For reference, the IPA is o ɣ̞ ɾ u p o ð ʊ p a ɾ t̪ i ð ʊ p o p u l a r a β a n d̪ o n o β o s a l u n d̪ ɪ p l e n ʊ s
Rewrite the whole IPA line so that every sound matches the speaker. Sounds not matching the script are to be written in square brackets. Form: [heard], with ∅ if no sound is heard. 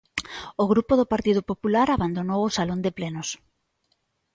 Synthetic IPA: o ɣ̞ ɾ u p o ð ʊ p a ɾ t̪ i ð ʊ p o p u l a [ɾ] a β a n d̪ o n o [w] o s a l [o] n d̪ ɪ p l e n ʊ s